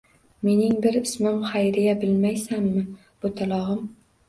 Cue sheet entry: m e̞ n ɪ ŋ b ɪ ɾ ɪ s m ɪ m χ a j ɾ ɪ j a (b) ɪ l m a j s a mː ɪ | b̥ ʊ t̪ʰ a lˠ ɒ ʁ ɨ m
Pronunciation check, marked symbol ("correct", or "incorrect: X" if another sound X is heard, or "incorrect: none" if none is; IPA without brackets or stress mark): correct